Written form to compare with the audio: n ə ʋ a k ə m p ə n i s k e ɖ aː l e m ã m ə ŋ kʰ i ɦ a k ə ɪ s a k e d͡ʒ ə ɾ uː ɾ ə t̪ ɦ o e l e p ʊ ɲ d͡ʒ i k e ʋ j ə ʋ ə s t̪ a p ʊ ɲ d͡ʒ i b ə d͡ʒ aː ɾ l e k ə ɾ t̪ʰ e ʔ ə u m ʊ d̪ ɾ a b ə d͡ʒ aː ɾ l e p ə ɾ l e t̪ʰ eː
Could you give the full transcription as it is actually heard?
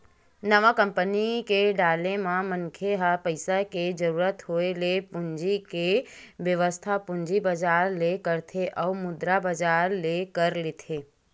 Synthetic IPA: n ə ʋ a k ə m p ə n i k e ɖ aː l e m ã m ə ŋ kʰ e ɦ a p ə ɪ s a k e d͡ʒ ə ɾ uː ɾ ə t̪ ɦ o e l e p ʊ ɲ d͡ʒ i k e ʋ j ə ʋ ə s t̪ʰ a p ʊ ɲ d͡ʒ i b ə d͡ʒ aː ɾ l e k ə ɾ t̪ʰ e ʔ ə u m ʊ d̪ ɾ a b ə d͡ʒ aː ɾ l e k ə ɾ l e t̪ʰ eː